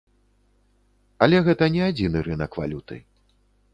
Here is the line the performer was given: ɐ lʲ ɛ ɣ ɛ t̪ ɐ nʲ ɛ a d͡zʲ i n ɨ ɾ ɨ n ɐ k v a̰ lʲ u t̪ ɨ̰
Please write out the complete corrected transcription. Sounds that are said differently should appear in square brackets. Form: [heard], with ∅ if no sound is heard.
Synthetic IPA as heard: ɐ lʲ ɛ ɣ ɛ t̪ ɐ nʲ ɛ a d͡zʲ i n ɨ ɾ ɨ n ɐ k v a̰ lʲ u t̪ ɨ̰